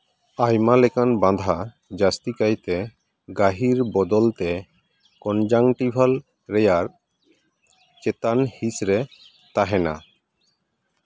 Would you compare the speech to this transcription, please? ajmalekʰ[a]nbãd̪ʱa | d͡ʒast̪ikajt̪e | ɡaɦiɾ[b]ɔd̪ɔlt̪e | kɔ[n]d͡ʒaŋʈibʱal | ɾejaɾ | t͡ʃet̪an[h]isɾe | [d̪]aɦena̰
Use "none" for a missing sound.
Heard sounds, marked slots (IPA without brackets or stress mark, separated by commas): a, b, n, h, t̪